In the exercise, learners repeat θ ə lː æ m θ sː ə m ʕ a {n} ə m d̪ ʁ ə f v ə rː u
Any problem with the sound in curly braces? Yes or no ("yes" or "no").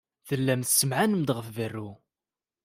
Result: no